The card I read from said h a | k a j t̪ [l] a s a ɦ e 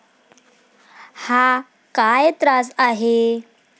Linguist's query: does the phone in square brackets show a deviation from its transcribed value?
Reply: yes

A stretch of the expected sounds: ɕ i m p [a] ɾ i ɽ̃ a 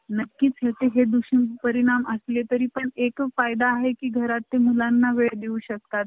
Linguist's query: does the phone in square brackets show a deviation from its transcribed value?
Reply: yes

